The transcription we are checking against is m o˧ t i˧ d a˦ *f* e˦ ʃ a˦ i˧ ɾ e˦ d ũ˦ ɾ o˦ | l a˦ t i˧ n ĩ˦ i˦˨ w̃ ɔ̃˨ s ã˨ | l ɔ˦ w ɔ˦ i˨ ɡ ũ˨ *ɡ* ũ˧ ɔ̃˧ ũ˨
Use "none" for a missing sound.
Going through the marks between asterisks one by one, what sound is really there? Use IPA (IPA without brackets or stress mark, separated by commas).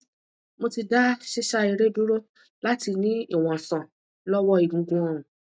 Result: ʃ, ɡ